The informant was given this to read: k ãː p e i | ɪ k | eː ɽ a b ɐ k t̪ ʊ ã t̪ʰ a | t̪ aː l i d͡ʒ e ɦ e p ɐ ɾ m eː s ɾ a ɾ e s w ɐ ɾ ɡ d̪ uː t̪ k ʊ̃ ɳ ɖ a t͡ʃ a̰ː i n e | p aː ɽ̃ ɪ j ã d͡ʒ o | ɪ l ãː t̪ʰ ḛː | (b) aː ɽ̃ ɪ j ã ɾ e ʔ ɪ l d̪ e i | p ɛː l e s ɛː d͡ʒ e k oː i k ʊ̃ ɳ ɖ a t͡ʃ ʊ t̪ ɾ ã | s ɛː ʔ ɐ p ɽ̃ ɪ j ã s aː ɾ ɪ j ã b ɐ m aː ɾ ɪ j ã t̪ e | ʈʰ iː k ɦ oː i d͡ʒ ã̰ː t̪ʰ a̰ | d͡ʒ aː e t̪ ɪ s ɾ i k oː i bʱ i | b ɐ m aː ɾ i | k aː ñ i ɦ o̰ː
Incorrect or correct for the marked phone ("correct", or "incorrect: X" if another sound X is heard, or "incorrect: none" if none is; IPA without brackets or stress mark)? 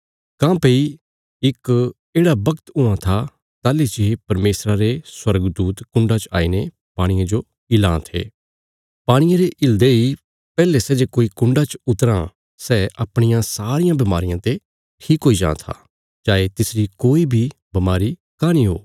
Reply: incorrect: p